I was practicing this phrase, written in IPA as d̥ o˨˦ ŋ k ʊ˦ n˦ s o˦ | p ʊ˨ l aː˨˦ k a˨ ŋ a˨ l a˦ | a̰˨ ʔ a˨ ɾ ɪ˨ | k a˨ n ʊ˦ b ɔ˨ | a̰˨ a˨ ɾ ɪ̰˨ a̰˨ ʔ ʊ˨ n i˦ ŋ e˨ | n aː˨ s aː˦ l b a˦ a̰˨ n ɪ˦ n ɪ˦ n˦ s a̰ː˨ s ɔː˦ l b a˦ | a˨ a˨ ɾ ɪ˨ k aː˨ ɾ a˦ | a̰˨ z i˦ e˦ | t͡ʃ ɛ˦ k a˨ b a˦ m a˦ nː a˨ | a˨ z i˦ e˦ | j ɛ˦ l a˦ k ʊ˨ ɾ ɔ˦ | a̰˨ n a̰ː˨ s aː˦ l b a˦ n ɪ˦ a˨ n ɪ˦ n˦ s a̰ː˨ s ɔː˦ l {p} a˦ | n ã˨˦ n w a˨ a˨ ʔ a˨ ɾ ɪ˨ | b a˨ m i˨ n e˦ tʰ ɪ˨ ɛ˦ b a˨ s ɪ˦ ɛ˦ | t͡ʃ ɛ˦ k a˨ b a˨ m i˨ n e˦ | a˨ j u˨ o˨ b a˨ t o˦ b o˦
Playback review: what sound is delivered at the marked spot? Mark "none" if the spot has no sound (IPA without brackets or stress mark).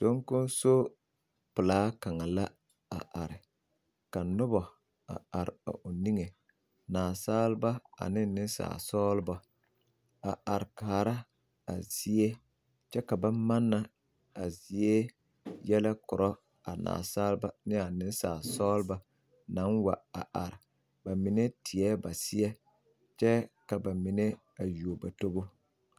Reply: b